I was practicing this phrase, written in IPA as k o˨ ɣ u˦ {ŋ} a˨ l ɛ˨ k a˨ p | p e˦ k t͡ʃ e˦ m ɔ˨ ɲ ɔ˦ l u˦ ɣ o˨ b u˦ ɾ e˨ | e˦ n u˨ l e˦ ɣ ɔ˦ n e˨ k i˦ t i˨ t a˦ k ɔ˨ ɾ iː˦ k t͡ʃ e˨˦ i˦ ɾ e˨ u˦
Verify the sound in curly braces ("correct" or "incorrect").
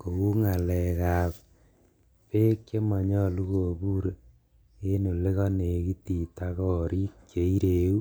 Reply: correct